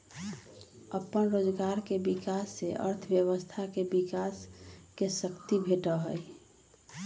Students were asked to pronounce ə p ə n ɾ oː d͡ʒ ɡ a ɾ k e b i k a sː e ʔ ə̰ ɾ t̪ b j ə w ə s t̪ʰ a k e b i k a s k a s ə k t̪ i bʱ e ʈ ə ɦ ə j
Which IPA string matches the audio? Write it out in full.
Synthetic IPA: ə p ə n ɾ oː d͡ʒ ɡ a ɾ k e b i k a sː e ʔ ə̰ ɾ t̪ʰ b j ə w ə s t̪ʰ a k e b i k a s k e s ə k t̪ i bʱ e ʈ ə ɦ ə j